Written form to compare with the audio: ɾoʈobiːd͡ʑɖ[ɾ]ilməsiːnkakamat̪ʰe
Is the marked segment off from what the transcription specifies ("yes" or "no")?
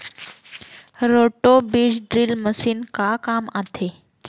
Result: no